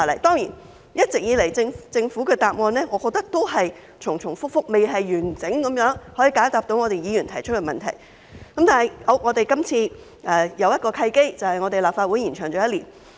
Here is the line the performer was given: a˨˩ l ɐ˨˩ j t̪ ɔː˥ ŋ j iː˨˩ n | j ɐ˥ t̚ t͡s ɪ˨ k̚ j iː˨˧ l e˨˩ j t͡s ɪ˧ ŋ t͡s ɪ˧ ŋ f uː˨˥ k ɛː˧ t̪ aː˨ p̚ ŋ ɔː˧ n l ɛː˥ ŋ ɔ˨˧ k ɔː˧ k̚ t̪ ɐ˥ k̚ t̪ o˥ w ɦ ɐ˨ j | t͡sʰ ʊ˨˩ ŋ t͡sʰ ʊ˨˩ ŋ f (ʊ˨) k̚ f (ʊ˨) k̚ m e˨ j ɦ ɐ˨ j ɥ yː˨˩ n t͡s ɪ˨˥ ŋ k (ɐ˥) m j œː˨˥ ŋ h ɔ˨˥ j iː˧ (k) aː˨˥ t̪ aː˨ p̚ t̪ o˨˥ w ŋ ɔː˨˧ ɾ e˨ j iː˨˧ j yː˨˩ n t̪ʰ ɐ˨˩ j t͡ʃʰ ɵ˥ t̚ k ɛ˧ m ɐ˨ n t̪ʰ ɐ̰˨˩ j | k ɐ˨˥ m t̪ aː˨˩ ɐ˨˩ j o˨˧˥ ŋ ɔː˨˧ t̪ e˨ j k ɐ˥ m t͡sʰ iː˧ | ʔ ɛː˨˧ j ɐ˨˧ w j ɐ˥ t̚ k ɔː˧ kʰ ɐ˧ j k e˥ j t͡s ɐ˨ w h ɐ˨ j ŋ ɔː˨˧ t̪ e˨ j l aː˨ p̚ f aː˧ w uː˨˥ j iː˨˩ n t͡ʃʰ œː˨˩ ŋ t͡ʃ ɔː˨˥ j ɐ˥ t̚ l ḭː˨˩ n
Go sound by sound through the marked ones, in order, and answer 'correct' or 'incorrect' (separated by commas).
incorrect, incorrect, incorrect, correct